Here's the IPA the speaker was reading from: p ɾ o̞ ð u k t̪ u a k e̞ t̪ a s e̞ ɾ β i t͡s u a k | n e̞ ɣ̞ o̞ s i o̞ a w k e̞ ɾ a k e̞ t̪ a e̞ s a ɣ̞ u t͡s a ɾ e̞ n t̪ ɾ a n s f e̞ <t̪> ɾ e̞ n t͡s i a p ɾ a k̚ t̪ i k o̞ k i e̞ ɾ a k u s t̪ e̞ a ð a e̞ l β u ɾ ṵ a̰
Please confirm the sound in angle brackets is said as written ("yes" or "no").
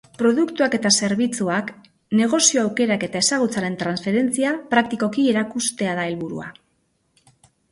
no